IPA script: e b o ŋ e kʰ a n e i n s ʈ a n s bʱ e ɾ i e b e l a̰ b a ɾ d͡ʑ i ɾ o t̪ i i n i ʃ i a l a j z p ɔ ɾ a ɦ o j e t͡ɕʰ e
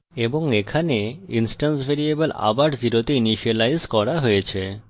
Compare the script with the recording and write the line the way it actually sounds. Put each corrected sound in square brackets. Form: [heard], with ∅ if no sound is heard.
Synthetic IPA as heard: e b o ŋ e kʰ a n e i n s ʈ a n s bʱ e ɾ i e b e l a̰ b a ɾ d͡ʑ i ɾ o t̪ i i n i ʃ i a l a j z [k] ɔ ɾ a ɦ o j e t͡ɕʰ e

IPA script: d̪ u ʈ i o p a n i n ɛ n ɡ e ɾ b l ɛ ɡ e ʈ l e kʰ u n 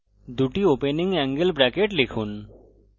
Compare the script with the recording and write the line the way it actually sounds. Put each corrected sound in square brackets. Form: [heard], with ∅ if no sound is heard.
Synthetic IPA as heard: d̪ u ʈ i o p [e] n i [ŋ] ɛ [ŋ] ɡ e [l] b [ɾ] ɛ [k] e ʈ l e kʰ u n

